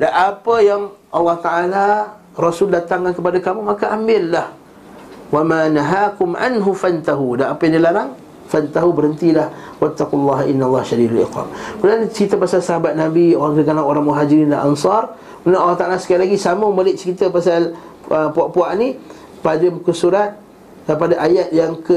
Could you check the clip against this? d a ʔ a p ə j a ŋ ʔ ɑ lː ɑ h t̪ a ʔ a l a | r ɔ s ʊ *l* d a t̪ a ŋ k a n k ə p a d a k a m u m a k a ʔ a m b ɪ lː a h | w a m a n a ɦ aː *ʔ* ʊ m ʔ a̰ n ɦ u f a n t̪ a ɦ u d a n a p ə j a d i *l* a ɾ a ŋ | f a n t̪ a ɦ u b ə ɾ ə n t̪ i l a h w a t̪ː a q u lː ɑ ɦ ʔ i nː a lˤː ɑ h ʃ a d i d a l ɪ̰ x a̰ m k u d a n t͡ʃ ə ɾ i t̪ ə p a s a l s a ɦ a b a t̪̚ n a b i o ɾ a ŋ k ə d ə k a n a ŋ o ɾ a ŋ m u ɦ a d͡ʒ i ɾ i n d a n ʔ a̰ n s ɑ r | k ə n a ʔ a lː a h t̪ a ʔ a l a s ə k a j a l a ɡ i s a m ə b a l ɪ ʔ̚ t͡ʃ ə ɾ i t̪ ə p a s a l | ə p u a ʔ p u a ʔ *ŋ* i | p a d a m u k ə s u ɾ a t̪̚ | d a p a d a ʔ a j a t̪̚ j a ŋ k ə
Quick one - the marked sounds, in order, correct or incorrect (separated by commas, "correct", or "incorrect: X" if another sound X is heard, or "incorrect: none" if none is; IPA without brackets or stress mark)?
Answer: correct, incorrect: k, correct, incorrect: n